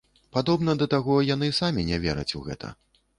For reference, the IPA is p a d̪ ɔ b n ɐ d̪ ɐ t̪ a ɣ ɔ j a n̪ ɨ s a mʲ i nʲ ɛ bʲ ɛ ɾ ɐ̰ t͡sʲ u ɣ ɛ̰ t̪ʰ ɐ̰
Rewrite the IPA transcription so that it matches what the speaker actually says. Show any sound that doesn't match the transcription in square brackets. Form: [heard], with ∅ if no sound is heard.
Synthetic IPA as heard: p a d̪ ɔ b n ɐ d̪ ɐ t̪ a ɣ ɔ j a n̪ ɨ s a mʲ i nʲ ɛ [vʲ] ɛ ɾ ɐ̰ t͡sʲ u ɣ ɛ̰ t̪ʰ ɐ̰